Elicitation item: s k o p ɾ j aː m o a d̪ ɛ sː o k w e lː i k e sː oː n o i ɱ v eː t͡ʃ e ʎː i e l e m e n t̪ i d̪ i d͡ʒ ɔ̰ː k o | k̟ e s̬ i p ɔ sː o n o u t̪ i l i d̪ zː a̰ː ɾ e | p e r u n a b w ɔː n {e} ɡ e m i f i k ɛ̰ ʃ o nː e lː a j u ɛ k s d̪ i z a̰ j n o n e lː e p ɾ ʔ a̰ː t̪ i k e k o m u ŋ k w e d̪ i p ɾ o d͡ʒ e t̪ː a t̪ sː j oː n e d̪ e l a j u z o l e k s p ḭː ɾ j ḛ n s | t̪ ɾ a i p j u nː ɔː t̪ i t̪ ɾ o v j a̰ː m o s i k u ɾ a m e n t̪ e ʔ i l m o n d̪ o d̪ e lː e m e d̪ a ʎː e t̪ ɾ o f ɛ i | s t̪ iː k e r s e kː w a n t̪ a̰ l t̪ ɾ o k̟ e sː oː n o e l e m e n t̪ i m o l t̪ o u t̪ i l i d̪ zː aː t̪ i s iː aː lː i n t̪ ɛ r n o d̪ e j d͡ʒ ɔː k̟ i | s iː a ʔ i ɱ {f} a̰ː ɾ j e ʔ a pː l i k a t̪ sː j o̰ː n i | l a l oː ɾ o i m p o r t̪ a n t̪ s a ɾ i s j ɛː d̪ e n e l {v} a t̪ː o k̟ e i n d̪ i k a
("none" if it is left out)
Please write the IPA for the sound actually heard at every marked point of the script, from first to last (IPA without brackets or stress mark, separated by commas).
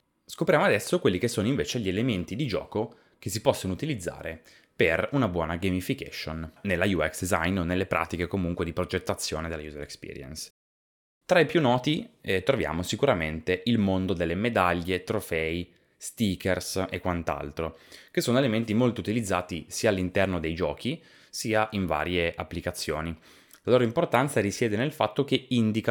a, v, f